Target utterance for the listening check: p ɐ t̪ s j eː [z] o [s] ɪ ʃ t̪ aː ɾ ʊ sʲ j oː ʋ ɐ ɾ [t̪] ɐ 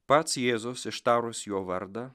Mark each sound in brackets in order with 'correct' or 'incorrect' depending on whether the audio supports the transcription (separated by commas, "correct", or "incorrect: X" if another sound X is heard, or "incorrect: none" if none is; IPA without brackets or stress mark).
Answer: correct, correct, incorrect: d̪